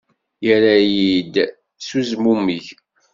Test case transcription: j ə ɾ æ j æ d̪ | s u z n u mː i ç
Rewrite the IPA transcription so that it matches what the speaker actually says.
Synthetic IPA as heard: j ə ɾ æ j i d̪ | s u z m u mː i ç

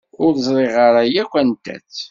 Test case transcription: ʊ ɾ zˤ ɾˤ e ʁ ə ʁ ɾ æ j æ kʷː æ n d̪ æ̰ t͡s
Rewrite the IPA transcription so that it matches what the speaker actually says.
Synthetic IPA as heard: ʊ ɾ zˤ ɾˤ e ʁ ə ɾ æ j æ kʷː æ n t̪ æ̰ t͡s

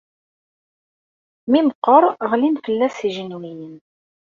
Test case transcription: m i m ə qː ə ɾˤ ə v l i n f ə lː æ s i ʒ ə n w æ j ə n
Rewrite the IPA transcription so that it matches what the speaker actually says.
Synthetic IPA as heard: m i m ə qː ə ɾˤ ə ʁ l i n f ə lː æ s i ʒ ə n w i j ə n

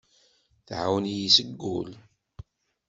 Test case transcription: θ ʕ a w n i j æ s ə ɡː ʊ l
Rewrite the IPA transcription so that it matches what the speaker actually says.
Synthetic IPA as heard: θ ʕ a w n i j i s ə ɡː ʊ l

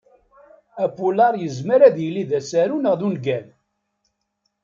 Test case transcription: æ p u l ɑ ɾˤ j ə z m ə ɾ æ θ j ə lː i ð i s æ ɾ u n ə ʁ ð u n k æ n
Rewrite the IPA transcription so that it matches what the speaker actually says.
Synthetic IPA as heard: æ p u l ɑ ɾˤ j ə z m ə ɾ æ ð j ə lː i ð æ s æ ɾ u n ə ʁ ð u n ɡ æ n

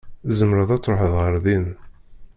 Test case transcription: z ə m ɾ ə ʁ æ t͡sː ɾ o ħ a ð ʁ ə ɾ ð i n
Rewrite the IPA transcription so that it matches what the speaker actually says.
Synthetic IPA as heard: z ə m ɾ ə ð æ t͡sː ɾ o ħ ə ð ʁ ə ɾ ð i n

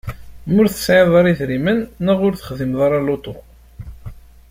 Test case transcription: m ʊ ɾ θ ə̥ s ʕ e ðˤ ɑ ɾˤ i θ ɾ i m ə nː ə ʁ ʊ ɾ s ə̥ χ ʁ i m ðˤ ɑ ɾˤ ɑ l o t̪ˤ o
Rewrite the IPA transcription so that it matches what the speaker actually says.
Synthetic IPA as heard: m ʊ ɾ θ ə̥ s ʕ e ðˤ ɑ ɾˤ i θ ɾ i m ə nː ə ʁ ʊ ɾ θ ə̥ χ ð i m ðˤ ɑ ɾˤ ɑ l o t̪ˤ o

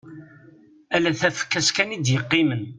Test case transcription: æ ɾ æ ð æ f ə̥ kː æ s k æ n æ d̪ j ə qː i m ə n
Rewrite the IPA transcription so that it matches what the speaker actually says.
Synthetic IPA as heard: æ l æ θ æ f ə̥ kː æ s k æ n i d̪ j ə qː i m ə n

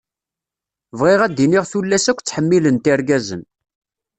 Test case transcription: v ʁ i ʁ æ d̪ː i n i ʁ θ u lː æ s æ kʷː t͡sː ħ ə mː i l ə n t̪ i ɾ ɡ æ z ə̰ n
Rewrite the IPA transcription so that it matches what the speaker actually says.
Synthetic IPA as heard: v ʁ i ʁ æ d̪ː i n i ʁ θ u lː æ s æ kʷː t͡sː ħ ə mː i l ə n t̪ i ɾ ɡ æ z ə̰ n

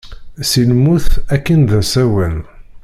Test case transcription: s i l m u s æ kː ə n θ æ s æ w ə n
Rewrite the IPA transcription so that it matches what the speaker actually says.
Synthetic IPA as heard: s i l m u θ æ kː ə n ð æ s æ w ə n

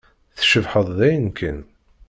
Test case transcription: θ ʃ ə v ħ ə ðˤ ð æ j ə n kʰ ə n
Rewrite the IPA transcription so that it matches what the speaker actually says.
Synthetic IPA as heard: θ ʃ ə v ħ ə ðˤ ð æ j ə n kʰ ə n

